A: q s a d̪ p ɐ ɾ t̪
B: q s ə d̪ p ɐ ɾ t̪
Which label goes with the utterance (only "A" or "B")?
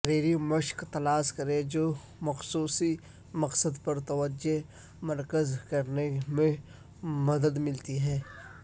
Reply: B